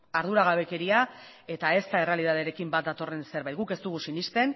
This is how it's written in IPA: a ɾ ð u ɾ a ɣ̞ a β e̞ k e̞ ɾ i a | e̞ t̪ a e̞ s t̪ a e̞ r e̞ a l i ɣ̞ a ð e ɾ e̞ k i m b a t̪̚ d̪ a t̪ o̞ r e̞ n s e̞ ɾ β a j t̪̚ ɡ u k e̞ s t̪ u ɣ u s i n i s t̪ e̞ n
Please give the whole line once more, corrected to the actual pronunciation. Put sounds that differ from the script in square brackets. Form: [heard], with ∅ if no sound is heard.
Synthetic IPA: a ɾ ð u ɾ a ɣ̞ a β e̞ k e̞ ɾ i a | e̞ t̪ a e̞ s t̪ a e̞ r e̞ a l i [ð̞] a ð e ɾ e̞ k i m b a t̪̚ d̪ a t̪ o̞ r e̞ n s e̞ ɾ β a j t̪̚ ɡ u k e̞ s t̪ u ɣ u s i n i s t̪ e̞ n